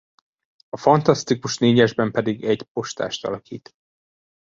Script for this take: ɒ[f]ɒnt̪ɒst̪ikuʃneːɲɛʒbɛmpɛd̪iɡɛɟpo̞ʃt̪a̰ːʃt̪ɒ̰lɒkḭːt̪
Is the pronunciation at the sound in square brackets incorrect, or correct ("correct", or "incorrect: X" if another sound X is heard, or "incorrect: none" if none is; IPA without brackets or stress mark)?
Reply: correct